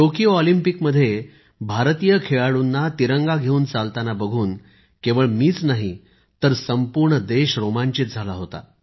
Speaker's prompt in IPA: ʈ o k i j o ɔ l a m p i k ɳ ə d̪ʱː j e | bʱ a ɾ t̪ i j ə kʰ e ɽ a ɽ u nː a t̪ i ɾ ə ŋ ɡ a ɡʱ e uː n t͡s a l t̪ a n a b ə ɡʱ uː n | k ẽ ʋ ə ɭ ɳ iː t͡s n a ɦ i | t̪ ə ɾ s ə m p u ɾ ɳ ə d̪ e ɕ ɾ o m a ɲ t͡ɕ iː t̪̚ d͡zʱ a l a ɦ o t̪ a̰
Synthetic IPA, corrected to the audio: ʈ o k i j o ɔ l i m p i k m ə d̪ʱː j e | bʱ a ɾ t̪ i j ə kʰ e ɭ a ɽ u nː a t̪ i ɾ ə ŋ ɡ a ɡʱ e uː n t͡s a l t̪ a n a b ə ɡʱ uː n | k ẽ ʋ ə ɭ m iː t͡s n a ɦ i | t̪ ə ɾ s ə m p u ɾ ɳ ə d̪ e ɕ ɾ o m a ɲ t͡ɕ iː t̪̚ d͡zʱ a l a ɦ o t̪ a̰